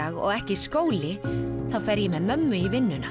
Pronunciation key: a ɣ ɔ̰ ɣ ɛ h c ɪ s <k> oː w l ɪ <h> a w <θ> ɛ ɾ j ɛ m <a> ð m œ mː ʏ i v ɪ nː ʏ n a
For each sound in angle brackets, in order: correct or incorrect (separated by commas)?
correct, incorrect, incorrect, incorrect